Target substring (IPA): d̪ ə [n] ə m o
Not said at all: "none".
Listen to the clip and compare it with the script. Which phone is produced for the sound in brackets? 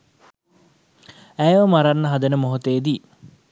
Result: n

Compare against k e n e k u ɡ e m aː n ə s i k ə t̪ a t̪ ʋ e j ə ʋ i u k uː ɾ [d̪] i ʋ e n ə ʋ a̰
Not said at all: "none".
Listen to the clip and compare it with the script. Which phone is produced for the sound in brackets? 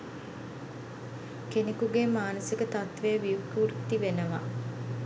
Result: t̪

